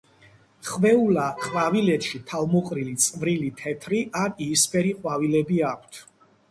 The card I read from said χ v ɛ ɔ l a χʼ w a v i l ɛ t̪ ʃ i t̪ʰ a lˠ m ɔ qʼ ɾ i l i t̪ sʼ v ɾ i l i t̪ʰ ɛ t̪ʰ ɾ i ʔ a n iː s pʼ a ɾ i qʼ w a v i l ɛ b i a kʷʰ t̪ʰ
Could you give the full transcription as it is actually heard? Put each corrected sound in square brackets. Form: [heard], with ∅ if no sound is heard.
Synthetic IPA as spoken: χ v ɛ [u] l a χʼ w a v i l ɛ t̪ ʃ i t̪ʰ a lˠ m ɔ qʼ ɾ i l i t̪ sʼ v ɾ i l i t̪ʰ ɛ t̪ʰ ɾ i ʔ a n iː s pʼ [ɛ] ɾ i qʼ w a v i l ɛ b i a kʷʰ t̪ʰ